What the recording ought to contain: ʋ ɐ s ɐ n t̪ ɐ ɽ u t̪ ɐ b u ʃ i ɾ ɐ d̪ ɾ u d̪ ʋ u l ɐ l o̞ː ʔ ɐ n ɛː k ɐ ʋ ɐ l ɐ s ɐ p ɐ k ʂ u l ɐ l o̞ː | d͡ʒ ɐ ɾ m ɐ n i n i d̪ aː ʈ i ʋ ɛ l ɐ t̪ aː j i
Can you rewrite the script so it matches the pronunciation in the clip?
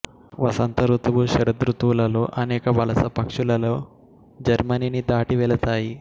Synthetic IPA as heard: ʋ ɐ s ɐ n t̪ ɐ ɾ u t̪ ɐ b u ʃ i ɾ ɐ d̪ ɾ u t̪ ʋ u l ɐ l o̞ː ʔ ɐ n ɛː k ɐ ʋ ɐ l ɐ s ɐ p ɐ k ʂ u l ɐ l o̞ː | d͡ʒ ɐ ɾ m ɐ n i n i d̪ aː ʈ i ʋ ɛ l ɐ t̪ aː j i